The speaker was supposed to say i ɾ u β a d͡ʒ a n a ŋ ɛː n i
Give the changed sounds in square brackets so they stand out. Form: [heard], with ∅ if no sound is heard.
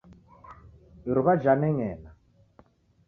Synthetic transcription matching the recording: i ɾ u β a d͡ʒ a n [ɛ] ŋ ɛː n [a]